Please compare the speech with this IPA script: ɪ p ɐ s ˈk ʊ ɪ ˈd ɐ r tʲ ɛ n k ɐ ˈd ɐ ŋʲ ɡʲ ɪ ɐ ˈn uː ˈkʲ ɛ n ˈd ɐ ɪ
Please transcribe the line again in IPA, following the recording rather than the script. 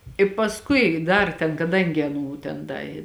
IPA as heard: ɪ p ɐ s ˈk ʊ ɪ ˈd ɐ r tʲ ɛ n k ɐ ˈd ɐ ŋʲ ɡʲ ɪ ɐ ˈn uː ˈtʲ ɛ n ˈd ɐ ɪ